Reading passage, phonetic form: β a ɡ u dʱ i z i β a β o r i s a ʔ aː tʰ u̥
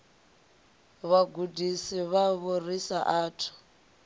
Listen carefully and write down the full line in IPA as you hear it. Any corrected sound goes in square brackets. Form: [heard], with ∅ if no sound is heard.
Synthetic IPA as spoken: β a ɡ u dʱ i [s] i β a β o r i s a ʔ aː tʰ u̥